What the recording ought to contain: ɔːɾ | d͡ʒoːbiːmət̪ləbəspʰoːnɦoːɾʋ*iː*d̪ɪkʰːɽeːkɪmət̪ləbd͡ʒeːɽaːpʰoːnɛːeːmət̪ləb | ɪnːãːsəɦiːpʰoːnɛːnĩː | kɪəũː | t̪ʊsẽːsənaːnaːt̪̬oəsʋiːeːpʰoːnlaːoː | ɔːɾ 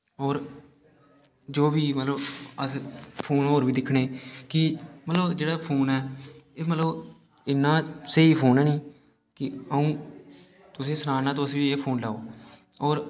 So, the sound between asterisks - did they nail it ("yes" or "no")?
yes